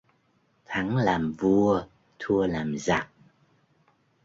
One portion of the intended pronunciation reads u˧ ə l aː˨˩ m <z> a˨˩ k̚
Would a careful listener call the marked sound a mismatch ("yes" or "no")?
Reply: no